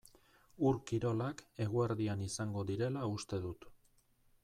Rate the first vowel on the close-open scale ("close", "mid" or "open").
close